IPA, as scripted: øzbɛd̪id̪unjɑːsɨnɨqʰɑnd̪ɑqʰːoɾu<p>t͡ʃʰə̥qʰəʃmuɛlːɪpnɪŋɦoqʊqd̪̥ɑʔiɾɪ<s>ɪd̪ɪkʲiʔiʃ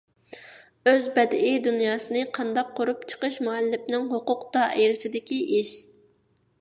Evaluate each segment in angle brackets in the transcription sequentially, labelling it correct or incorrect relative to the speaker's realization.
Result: correct, correct

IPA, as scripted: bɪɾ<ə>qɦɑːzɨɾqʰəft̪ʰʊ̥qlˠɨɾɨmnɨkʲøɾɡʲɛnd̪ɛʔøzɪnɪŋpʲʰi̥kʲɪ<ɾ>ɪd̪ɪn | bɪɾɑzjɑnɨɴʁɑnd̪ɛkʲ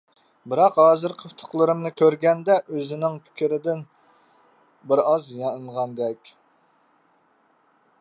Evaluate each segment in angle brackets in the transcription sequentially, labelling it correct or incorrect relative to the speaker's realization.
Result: incorrect, correct

